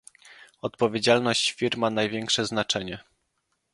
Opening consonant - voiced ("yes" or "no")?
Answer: no